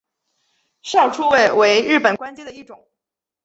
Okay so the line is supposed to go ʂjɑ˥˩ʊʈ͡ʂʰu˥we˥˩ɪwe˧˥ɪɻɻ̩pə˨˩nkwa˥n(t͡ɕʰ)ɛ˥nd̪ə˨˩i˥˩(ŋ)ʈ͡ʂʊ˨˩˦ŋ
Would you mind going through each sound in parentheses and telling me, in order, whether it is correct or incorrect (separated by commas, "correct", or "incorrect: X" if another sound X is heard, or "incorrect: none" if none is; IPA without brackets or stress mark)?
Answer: incorrect: t͡ɕ, incorrect: none